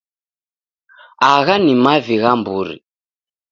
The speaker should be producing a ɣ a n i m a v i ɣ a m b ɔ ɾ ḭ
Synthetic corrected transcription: a ɣ a n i m a v i ɣ a m b u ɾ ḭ